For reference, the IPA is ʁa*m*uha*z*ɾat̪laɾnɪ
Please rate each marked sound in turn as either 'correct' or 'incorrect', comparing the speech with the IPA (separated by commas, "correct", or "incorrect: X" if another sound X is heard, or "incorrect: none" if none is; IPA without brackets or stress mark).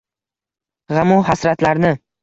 correct, incorrect: s